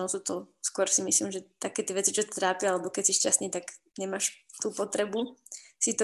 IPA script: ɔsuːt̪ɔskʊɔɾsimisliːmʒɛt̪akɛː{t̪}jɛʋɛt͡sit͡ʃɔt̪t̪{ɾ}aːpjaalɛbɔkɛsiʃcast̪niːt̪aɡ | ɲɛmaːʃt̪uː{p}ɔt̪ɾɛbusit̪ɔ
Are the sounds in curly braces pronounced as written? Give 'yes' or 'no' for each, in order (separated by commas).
yes, yes, yes